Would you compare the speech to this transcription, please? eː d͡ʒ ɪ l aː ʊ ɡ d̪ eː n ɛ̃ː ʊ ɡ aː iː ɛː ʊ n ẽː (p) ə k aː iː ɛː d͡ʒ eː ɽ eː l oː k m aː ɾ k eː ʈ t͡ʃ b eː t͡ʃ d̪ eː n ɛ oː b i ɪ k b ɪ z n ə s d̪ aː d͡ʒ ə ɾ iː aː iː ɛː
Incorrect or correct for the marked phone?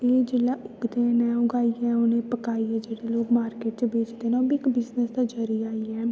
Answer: correct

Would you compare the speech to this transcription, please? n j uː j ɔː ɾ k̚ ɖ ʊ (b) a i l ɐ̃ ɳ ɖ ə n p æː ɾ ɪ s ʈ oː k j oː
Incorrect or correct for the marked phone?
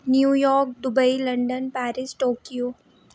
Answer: correct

